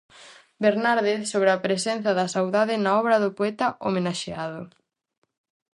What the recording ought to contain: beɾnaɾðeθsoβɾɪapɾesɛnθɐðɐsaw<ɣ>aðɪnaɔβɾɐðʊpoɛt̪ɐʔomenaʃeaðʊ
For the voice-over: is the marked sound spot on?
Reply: no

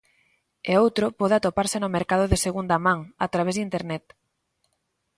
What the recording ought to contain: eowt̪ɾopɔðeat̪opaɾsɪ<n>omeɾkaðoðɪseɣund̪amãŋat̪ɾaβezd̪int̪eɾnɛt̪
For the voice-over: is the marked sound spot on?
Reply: yes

